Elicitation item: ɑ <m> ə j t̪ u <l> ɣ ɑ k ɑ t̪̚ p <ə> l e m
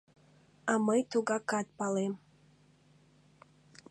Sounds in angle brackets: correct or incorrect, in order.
correct, incorrect, incorrect

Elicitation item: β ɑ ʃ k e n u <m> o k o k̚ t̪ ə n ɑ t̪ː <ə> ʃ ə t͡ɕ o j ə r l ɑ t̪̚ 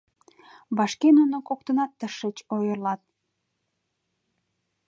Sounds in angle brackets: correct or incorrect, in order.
incorrect, correct

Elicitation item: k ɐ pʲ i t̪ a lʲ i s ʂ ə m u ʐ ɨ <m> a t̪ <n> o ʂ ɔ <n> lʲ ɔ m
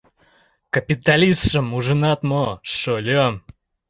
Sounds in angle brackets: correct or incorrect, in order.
incorrect, incorrect, incorrect

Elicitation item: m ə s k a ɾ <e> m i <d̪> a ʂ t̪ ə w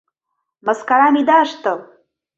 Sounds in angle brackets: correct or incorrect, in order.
incorrect, correct

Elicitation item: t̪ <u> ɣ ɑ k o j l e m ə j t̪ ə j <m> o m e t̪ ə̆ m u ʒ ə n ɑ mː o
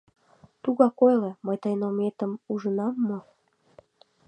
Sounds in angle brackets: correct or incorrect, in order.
correct, incorrect

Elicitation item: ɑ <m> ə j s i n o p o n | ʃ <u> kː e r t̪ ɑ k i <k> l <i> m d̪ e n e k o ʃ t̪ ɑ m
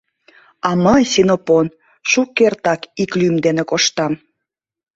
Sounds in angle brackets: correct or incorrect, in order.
correct, correct, correct, incorrect

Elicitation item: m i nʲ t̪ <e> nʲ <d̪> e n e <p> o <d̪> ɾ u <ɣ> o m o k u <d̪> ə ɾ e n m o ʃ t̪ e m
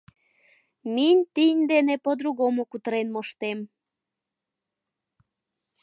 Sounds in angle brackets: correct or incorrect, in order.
incorrect, correct, correct, correct, correct, incorrect

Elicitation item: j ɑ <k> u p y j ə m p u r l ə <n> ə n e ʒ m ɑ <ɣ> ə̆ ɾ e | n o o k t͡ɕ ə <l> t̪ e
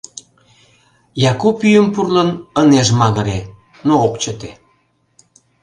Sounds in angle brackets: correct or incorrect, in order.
correct, correct, correct, incorrect

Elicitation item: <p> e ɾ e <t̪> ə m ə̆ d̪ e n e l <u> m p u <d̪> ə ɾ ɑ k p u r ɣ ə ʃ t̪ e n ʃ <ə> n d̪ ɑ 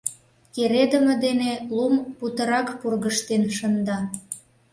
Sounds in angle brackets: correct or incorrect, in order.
incorrect, incorrect, correct, incorrect, correct

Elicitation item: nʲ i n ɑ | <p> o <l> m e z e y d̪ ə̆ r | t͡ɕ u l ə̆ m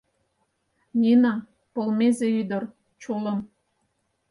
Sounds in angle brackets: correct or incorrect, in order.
correct, correct

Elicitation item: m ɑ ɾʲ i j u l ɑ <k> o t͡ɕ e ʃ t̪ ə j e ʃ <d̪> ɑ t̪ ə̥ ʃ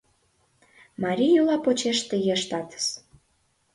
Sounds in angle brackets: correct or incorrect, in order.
incorrect, incorrect

